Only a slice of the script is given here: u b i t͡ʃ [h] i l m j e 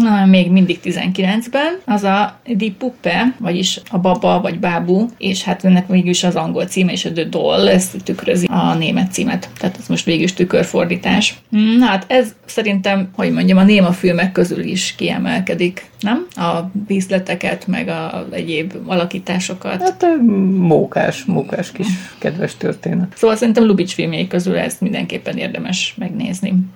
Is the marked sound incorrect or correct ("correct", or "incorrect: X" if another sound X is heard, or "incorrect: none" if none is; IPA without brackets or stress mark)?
incorrect: f